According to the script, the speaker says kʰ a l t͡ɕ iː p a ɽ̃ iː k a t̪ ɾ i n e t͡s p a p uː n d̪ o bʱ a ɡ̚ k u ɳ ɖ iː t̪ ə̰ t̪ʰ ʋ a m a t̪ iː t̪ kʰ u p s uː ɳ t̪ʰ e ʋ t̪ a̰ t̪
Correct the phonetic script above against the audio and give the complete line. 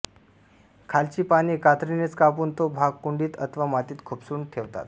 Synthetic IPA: kʰ a l t͡ɕ iː p a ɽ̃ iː k a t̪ ɾ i n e t͡s k a p uː n t̪ o bʱ a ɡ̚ k u ɳ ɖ iː t̪ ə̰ t̪ʰ ʋ a m a t̪ iː t̪ kʰ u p s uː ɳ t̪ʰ e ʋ t̪ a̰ t̪